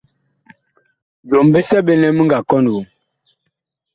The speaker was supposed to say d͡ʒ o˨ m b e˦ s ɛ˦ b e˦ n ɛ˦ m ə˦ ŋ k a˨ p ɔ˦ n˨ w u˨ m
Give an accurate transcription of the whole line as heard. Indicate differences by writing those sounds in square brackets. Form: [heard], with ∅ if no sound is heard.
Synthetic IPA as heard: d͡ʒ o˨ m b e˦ s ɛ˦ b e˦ n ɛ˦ m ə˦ ŋ [ɡ] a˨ [k] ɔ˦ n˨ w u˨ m